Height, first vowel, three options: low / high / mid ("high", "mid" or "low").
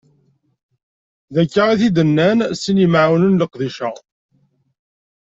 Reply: low